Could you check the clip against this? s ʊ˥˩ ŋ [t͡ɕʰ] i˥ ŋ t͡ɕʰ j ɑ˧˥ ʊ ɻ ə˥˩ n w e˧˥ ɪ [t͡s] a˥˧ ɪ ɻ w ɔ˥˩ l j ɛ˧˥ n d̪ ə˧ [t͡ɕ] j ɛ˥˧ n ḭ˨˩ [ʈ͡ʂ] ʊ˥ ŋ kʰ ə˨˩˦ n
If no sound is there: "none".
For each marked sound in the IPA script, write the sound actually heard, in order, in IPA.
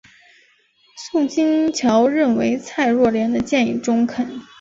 t͡ɕ, t͡sʰ, t͡ɕ, ʈ͡ʂ

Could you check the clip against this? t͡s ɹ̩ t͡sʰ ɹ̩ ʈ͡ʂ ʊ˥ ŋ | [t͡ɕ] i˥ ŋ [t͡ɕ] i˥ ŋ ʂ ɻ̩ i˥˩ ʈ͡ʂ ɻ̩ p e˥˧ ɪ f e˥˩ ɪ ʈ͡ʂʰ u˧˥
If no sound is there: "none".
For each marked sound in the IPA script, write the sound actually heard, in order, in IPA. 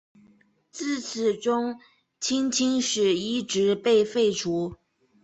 t͡ɕʰ, t͡ɕʰ

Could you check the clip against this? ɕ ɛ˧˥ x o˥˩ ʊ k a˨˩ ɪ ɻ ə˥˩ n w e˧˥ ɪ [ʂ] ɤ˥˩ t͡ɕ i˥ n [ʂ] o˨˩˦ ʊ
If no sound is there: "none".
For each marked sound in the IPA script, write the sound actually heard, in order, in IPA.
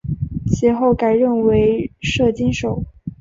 ʂ, ʂ

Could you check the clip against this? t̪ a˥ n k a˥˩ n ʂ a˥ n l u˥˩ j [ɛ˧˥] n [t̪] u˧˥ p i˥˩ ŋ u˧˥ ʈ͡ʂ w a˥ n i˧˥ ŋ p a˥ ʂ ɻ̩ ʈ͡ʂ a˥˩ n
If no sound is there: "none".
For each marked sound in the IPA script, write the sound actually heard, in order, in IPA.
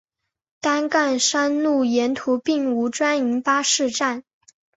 ɛ˧˥, t̪ʰ

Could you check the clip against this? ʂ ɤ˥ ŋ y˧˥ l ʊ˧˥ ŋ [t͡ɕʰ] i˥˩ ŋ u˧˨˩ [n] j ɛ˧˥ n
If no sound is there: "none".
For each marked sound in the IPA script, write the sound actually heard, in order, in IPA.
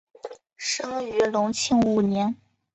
t͡ɕʰ, n

